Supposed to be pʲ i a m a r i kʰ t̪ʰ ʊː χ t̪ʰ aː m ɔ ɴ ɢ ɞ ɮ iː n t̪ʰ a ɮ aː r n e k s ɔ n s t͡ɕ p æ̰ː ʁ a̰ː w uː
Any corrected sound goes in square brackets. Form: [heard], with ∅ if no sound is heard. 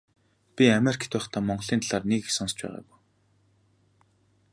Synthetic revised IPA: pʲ i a m [e] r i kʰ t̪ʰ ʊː χ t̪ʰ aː m ɔ ɴ ɢ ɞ ɮ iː n [t̪] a ɮ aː r n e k s ɔ n s t͡ɕ p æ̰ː ʁ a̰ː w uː